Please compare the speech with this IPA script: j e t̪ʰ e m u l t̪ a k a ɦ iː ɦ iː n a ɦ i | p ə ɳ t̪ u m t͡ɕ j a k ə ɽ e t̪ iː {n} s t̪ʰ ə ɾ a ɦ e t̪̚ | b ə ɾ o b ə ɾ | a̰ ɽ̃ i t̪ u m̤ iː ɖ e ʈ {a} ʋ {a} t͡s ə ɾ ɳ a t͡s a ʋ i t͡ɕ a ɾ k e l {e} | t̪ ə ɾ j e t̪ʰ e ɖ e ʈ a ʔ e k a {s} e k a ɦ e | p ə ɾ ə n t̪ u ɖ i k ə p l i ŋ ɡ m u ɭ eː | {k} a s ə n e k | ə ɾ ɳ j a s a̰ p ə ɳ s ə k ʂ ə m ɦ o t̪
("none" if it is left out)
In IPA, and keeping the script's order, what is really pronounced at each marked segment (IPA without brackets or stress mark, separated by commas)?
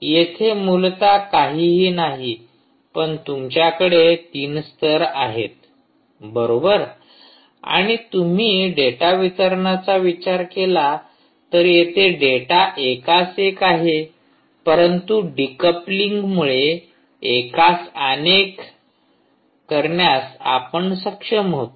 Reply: n, a, i, a, s, k